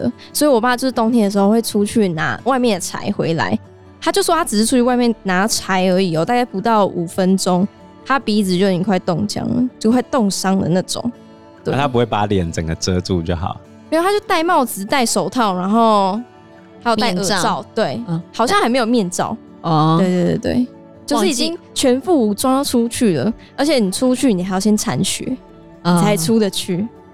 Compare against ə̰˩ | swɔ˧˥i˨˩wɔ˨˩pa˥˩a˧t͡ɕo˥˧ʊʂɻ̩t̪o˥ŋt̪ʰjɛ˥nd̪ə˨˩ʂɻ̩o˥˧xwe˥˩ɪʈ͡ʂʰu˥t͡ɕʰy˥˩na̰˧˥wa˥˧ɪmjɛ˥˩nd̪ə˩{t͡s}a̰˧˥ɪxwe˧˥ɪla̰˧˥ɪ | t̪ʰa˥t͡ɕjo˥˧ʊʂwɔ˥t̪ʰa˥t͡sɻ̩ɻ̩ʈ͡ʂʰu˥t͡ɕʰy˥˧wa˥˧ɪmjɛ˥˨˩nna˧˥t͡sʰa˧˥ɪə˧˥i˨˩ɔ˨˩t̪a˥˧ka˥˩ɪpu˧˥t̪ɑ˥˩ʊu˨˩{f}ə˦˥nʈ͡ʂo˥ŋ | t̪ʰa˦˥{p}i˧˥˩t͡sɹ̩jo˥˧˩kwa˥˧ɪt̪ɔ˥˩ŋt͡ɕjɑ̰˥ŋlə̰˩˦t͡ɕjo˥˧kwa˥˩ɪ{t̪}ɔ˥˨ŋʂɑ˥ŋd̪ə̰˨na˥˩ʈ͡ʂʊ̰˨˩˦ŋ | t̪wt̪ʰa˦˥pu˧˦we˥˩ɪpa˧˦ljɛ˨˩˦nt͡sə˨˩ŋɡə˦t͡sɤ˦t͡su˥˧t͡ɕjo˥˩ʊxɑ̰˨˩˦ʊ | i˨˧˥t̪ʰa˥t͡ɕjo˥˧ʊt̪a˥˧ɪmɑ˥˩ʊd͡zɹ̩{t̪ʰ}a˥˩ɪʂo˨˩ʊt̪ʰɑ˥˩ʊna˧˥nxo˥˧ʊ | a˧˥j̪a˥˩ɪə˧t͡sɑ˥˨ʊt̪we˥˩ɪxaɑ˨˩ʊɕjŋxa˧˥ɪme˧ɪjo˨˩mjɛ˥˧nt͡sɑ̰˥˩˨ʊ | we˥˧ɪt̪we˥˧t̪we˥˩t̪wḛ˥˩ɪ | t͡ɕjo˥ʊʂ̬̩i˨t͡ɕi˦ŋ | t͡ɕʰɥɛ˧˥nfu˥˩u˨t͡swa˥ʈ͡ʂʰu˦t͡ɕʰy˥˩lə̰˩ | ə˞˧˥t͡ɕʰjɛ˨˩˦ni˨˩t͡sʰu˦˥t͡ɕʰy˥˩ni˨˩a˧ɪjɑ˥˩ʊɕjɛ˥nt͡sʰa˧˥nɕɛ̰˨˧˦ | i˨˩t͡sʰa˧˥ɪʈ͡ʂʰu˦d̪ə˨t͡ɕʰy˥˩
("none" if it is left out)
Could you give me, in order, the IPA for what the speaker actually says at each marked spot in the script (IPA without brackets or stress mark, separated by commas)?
t͡sʰ, f, p, t̪, t̪